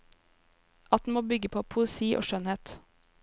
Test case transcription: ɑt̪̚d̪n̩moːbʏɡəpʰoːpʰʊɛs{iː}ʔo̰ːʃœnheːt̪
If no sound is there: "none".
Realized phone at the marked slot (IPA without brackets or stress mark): iː